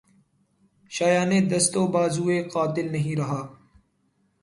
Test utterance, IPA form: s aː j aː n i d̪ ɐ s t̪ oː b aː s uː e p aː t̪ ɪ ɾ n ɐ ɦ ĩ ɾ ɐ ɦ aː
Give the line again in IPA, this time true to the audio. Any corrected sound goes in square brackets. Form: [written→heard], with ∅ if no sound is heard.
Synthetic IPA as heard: [s→ʃ] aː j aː n [i→e] d̪ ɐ s t̪ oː b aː [s→z] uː e [p→q] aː t̪ ɪ [ɾ→l] n ɐ ɦ ĩ ɾ ɐ ɦ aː